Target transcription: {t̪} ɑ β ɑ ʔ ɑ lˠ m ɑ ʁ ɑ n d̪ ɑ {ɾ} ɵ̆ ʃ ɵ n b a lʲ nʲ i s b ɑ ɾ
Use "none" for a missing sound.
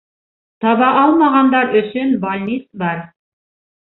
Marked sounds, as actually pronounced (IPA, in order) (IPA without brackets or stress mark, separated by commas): t̪, ɾ